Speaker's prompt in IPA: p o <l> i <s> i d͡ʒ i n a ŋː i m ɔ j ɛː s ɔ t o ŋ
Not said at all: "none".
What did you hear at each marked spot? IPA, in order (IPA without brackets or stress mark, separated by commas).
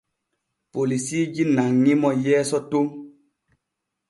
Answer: l, s